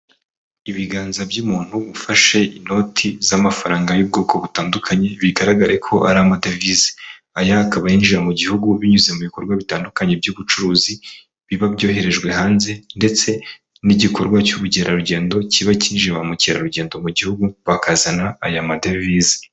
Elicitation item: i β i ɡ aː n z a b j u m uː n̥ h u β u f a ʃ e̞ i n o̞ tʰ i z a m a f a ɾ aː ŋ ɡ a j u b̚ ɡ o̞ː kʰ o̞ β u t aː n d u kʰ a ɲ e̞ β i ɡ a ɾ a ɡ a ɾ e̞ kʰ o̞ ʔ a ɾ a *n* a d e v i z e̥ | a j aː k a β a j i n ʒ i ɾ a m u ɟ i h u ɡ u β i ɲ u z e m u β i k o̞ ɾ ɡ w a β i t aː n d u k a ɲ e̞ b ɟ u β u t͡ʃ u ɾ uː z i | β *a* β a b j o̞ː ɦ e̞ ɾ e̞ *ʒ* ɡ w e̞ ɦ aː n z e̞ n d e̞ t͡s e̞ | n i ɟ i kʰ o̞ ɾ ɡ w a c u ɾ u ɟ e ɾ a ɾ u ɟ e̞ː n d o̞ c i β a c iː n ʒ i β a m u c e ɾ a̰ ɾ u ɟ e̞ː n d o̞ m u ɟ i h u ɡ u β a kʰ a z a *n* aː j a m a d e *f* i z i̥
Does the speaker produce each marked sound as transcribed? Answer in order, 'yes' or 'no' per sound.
no, no, yes, yes, no

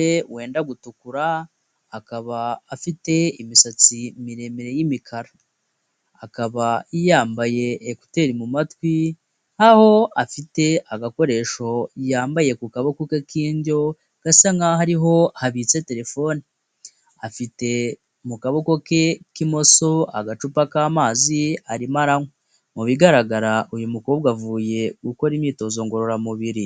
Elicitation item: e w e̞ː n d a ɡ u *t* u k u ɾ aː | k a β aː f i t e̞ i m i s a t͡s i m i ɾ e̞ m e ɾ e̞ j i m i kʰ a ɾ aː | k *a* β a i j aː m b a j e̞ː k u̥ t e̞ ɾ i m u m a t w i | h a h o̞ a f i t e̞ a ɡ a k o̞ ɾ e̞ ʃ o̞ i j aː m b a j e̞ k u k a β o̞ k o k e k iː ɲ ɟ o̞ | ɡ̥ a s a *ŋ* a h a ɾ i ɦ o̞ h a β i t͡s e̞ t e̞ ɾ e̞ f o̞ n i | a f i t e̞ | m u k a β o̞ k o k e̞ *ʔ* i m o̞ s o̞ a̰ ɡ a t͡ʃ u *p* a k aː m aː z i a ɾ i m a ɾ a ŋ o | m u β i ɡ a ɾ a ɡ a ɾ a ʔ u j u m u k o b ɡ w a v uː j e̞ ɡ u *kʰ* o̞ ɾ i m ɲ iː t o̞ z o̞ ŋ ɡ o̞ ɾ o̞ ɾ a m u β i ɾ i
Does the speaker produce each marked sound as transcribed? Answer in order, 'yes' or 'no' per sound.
yes, yes, yes, no, yes, no

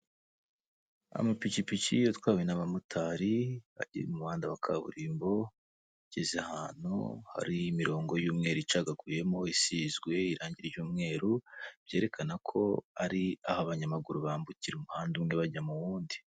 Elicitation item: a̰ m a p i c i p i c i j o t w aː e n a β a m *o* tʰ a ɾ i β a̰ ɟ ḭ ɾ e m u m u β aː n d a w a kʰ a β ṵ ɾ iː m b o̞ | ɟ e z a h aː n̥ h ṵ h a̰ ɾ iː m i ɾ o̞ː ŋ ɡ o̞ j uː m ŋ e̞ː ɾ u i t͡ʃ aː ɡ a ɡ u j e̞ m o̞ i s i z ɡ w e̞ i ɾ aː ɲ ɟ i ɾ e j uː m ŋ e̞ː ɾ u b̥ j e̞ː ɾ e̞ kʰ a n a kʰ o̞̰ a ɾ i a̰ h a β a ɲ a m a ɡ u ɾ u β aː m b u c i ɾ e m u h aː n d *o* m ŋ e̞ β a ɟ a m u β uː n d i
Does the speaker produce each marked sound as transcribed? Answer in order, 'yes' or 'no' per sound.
no, no

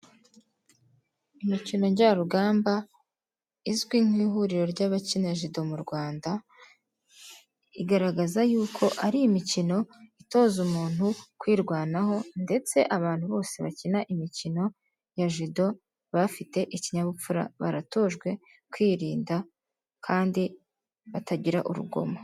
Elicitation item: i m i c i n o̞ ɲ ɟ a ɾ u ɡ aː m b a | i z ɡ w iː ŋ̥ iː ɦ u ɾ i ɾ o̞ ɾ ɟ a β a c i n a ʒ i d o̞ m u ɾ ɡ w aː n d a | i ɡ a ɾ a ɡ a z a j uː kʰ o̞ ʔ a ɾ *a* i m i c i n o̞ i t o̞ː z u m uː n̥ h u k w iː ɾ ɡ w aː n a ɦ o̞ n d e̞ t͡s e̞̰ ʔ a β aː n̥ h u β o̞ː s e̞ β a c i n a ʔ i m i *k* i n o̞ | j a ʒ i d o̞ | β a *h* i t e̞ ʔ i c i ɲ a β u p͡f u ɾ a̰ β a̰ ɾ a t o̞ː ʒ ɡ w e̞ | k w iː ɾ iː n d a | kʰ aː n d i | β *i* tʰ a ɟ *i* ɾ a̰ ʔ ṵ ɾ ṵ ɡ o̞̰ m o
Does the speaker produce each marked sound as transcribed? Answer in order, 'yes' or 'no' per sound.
no, no, no, no, yes

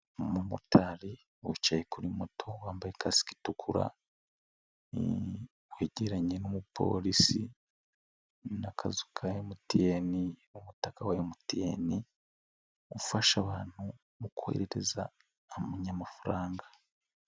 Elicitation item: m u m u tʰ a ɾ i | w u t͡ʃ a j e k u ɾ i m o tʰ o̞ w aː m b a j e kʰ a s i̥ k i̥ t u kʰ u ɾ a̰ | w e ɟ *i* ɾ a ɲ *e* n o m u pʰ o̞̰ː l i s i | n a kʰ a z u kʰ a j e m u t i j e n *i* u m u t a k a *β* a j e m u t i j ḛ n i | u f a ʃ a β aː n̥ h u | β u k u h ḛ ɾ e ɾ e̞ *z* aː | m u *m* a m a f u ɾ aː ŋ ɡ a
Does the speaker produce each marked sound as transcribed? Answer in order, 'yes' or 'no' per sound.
no, yes, yes, no, yes, no

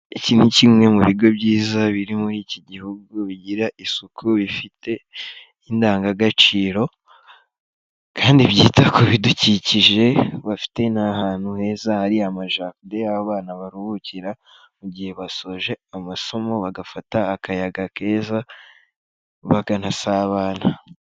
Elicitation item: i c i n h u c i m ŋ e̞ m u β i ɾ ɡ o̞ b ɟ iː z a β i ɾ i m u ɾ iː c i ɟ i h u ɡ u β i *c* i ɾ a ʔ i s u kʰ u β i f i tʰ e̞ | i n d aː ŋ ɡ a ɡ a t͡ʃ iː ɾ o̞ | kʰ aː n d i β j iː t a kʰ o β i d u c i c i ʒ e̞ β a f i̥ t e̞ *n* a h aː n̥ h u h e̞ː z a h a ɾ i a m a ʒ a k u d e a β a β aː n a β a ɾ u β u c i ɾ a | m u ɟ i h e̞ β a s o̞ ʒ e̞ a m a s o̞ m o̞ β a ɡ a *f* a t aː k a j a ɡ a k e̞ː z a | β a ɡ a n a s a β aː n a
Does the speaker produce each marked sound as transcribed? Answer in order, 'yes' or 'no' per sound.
no, yes, yes

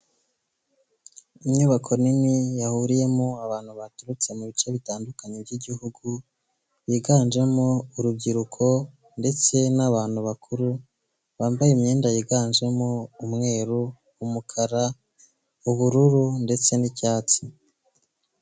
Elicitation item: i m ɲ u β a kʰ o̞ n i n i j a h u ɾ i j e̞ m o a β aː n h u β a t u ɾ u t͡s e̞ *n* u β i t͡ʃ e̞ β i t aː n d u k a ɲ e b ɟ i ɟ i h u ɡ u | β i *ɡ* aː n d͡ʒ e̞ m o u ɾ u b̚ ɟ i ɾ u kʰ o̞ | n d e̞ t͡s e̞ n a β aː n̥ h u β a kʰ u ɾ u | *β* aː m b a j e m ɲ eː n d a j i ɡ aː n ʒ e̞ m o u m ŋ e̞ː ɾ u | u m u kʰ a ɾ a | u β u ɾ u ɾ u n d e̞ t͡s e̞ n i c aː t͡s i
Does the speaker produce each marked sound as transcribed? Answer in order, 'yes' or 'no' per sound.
no, yes, yes

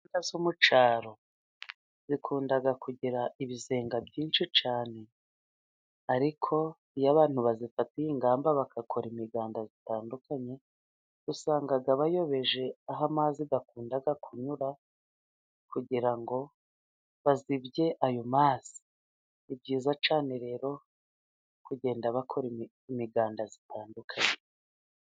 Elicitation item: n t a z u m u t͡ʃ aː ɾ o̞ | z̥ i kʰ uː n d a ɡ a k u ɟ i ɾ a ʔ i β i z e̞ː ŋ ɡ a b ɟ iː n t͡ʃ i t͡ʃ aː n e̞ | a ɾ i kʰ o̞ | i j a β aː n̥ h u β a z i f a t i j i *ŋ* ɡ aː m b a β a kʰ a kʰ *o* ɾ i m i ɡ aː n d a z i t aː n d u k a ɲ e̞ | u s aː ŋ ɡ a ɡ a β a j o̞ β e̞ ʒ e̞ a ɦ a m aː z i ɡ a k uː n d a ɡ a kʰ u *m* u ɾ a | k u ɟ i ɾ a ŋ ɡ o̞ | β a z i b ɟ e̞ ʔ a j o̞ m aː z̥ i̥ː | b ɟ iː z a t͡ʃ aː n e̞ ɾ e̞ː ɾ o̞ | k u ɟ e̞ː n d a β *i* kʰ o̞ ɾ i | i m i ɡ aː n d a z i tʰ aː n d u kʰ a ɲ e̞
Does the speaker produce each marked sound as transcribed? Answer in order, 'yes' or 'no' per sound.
yes, yes, no, no

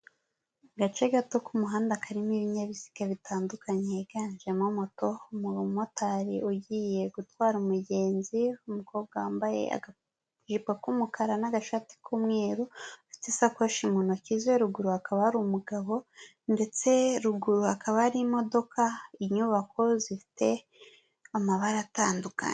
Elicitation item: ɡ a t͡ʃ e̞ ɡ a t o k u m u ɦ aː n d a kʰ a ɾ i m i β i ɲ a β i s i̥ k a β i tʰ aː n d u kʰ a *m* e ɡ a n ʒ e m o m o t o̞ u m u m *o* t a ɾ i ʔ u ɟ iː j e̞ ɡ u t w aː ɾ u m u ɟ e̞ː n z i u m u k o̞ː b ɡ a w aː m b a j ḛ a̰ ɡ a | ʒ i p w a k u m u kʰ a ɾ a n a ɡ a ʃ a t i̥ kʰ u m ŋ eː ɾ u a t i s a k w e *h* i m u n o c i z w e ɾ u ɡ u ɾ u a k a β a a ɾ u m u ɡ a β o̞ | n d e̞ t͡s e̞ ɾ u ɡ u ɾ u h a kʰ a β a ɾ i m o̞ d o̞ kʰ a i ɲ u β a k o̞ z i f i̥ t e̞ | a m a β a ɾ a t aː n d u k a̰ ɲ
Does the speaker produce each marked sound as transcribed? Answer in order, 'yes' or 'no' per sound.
no, yes, no

